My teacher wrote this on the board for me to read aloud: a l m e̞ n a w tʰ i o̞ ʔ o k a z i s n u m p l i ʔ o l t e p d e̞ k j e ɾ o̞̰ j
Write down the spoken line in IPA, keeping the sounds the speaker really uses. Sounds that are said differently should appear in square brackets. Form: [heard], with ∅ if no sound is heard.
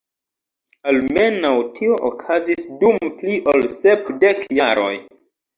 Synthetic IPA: a l m e̞ n a w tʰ i o̞ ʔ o [kʰ] a z i s [d] u m p l i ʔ o l [s] e p d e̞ k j [a] ɾ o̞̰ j